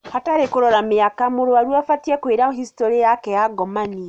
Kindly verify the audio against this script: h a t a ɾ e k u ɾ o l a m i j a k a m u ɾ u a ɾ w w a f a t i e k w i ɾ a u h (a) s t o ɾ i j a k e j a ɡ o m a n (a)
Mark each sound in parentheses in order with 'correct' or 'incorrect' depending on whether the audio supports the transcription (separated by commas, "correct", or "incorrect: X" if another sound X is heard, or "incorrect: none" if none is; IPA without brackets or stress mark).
incorrect: i, incorrect: i